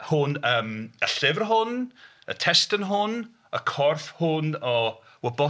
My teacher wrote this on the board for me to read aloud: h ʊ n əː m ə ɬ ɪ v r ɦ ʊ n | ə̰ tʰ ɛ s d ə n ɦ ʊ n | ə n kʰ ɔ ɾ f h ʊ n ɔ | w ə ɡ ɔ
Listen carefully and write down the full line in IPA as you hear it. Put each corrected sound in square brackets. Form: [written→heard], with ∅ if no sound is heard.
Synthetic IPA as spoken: h ʊ n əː m ə ɬ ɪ v r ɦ ʊ n | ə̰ tʰ ɛ s [d→t] ə n ɦ ʊ n | ə [n→∅] kʰ ɔ [ɾ→r] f h ʊ n ɔ | w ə [ɡ→b] ɔ